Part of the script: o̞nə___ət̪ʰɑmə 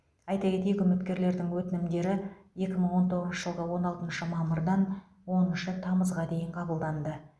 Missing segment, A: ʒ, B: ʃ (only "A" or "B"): B